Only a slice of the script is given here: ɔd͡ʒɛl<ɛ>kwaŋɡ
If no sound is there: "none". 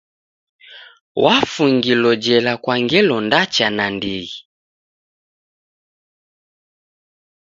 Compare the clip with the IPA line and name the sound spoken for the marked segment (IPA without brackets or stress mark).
a